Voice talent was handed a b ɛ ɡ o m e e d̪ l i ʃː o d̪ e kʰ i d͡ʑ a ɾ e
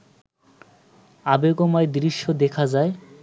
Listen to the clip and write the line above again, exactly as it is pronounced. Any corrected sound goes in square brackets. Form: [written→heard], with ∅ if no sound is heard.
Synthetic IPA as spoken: a b [ɛ→e] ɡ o m [e→a] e d̪ [l→ɾ] i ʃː o d̪ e kʰ [i→a] d͡ʑ a [ɾ→∅] e